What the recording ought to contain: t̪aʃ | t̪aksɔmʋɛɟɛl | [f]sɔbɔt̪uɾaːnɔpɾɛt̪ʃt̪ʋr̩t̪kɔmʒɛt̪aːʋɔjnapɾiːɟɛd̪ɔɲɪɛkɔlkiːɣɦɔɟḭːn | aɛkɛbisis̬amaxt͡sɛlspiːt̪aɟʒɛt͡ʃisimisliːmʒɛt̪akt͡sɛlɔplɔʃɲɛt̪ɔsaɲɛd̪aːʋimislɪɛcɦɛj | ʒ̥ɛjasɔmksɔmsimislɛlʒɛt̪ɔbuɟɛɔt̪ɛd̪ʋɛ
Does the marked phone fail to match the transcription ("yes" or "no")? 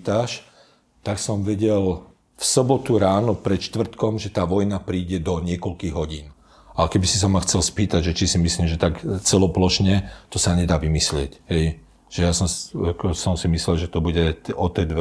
no